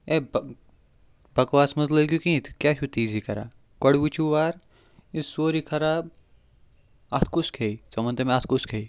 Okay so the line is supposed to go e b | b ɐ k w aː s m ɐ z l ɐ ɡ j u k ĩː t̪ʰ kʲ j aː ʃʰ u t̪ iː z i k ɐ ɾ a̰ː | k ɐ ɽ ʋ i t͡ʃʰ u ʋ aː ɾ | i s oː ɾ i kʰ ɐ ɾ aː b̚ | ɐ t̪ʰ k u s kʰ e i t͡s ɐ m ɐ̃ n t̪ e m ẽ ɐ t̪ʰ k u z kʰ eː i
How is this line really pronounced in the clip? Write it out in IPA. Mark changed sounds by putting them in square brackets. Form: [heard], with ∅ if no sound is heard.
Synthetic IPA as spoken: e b | b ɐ k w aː s m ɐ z l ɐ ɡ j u k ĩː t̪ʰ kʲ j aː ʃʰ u t̪ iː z i k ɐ ɾ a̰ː | k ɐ ɽ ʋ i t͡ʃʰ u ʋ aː ɾ | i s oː ɾ i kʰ ɐ ɾ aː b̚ | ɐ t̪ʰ k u s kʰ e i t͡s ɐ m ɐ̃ n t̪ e m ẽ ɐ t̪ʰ k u [s] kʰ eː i